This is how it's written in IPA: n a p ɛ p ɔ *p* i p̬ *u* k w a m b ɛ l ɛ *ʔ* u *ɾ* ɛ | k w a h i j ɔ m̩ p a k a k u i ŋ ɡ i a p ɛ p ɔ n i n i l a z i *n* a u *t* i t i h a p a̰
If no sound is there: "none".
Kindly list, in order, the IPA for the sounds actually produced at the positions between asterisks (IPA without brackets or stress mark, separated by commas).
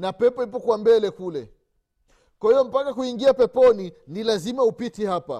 none, ɔ, k, l, m, p